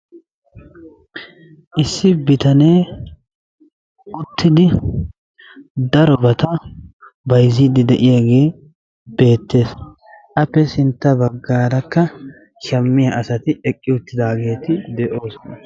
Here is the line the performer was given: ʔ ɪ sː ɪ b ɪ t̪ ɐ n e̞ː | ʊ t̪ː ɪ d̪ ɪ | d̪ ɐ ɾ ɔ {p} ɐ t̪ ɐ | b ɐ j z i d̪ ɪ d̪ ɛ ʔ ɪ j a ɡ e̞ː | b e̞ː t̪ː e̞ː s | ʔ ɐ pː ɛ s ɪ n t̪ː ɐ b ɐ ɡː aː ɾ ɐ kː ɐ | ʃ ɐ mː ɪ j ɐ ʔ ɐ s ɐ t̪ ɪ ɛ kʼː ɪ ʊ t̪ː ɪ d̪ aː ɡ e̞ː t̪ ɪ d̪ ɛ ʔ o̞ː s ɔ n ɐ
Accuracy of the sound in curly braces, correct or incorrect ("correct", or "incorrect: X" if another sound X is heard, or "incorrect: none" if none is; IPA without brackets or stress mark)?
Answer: incorrect: b